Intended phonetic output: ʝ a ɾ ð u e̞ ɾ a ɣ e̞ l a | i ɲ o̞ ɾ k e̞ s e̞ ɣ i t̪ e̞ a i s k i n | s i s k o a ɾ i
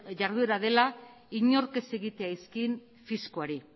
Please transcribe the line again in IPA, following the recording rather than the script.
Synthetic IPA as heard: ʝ a ɾ ð u e̞ ɾ a ð e̞ l a | i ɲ o̞ ɾ k e̞ s e̞ ɣ i t̪ e̞ a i s k i n | f i s k o a ɾ i